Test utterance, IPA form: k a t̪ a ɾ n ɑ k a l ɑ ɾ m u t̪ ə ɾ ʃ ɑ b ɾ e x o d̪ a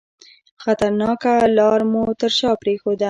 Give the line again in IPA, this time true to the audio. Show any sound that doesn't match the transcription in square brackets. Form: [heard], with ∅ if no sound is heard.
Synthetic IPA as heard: [x] a t̪ a ɾ n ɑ k a l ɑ ɾ m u t̪ ə ɾ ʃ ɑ [p] ɾ e x o d̪ a